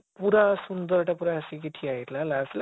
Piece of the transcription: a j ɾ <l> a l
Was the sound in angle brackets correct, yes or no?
yes